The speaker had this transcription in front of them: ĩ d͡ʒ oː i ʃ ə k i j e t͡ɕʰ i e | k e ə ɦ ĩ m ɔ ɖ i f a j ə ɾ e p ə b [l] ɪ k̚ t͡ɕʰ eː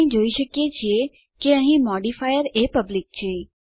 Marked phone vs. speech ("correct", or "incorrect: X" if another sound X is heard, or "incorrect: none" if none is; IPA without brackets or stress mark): correct